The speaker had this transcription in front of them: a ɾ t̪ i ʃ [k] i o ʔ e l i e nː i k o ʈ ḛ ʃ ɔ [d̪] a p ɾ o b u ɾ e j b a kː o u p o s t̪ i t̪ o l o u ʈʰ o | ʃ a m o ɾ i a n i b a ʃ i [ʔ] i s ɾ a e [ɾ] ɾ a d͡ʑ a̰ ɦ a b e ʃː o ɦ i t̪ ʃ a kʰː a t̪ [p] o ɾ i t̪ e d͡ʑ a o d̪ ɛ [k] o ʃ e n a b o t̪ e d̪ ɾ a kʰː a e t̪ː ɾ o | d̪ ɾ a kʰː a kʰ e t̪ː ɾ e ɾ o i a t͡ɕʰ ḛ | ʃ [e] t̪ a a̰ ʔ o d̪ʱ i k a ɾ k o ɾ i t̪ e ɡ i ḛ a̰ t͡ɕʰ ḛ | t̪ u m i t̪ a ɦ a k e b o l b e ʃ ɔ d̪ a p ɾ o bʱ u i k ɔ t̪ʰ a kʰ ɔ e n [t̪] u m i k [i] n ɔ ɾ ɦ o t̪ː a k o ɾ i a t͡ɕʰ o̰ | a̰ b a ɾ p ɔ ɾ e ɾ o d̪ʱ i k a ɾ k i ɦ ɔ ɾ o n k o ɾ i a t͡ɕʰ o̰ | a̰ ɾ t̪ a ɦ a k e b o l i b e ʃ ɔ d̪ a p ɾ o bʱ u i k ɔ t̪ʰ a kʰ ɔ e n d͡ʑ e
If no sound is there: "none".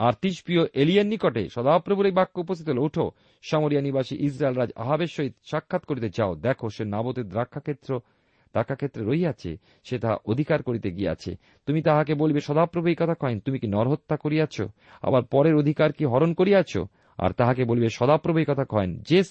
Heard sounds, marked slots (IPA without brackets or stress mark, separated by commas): p, d̪, ʔ, l, k, kʰ, e, t̪, i